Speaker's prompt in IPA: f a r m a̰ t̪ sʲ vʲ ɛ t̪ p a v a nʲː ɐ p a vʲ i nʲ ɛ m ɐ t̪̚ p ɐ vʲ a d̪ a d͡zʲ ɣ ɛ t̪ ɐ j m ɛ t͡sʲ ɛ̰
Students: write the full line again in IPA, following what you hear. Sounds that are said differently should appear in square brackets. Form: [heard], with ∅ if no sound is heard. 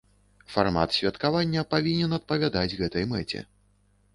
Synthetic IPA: f a r m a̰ t̪ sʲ vʲ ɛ t̪ [k] a v a nʲː ɐ p a vʲ i nʲ ɛ [n] ɐ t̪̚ p ɐ vʲ a d̪ a d͡zʲ ɣ ɛ t̪ ɐ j m ɛ t͡sʲ ɛ̰